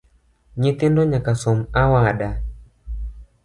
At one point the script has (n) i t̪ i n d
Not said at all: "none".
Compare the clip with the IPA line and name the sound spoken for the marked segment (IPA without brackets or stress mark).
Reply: ɲ